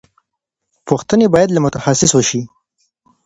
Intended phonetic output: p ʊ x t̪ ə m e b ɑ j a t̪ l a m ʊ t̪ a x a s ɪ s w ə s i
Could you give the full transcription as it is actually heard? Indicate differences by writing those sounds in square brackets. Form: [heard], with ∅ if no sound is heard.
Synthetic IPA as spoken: p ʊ x t̪ ə [n] e b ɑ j a [d̪] l a m ʊ t̪ a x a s ɪ s w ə [ʃ] i

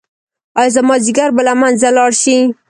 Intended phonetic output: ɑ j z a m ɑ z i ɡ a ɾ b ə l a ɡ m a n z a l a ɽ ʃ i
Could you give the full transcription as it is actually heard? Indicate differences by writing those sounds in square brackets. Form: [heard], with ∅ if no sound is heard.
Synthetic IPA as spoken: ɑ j z a m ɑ z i ɡ a ɾ b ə l a [∅] m a n z a l [ɑ] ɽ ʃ i

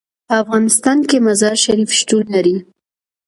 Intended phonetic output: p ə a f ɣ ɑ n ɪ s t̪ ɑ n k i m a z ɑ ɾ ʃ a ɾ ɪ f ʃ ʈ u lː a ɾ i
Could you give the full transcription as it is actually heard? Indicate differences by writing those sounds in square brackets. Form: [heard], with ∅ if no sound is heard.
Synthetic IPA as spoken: p ə a f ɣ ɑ n ɪ s t̪ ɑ n k [e] m a z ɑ ɾ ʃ a ɾ [i] f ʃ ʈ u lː a ɾ i

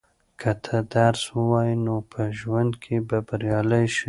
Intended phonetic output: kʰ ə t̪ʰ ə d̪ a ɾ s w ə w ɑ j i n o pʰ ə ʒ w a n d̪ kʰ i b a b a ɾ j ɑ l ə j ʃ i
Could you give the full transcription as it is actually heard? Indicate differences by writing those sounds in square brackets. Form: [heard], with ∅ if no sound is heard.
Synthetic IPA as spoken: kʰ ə t̪ʰ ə d̪ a ɾ s w ə w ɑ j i n o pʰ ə ʒ w a n d̪ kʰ [e] b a b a ɾ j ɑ l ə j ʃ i

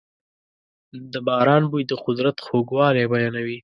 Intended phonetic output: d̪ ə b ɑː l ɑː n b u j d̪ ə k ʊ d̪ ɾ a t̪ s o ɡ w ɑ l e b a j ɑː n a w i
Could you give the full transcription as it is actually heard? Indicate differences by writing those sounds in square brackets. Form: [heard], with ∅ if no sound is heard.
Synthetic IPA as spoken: d̪ ə b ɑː [ɾ] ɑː n b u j d̪ ə [q] ʊ d̪ ɾ a t̪ [x] o ɡ w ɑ l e b a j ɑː n a w i

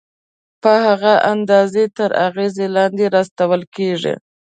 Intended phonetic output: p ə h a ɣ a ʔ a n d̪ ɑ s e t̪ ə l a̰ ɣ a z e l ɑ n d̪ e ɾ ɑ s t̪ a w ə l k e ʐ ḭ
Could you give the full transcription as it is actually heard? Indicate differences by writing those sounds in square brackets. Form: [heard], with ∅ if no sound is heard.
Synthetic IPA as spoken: p ə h a ɣ a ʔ a n d̪ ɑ [z] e t̪ ə [ɾ] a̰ ɣ [e] z e l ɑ n d̪ e ɾ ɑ s t̪ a w ə l k e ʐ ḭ

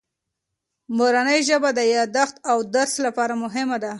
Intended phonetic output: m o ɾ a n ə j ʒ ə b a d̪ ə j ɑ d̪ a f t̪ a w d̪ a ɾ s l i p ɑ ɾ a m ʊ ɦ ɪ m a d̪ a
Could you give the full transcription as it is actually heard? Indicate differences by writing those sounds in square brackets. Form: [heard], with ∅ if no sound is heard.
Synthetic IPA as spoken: m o ɾ a n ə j ʒ ə b a d̪ ə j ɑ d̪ a [x] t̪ a w d̪ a ɾ s l [a] p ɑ ɾ a m ʊ ɦ ɪ m a d̪ a

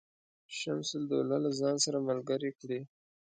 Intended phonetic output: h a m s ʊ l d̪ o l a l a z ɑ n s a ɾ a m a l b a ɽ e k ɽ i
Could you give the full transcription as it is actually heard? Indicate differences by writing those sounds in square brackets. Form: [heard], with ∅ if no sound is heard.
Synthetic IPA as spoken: [ʃ] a m s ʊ l d̪ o l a l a z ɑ n s a ɾ a m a l [ɡ] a [ɾ] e k ɽ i

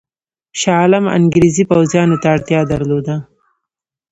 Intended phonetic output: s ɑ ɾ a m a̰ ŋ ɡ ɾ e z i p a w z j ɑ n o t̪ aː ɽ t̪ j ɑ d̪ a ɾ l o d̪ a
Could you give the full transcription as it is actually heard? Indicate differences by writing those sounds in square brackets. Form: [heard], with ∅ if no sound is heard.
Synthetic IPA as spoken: [ʃ] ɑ [l] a m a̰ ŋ ɡ ɾ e z i p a w z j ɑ n o t̪ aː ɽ t̪ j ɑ d̪ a ɾ l o d̪ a

